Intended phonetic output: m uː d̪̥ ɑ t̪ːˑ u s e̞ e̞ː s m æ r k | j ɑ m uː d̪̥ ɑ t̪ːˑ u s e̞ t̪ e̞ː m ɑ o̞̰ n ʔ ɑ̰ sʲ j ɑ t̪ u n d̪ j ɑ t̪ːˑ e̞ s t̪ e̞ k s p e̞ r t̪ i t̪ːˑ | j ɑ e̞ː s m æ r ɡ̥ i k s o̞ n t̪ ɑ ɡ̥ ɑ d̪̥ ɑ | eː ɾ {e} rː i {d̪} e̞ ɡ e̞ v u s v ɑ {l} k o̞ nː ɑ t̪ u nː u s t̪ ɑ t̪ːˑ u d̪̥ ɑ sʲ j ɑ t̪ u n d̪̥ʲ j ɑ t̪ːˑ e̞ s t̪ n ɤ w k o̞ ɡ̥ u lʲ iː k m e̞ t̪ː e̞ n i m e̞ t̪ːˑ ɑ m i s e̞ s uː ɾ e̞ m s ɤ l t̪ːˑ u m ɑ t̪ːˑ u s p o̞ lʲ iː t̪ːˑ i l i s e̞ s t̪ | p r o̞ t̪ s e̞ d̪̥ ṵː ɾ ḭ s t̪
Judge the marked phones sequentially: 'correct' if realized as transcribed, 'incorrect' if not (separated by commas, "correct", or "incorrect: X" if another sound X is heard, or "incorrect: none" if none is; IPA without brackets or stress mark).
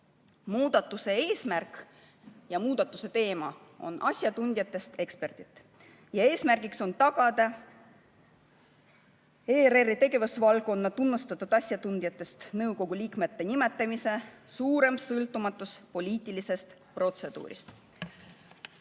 correct, incorrect: t̪, correct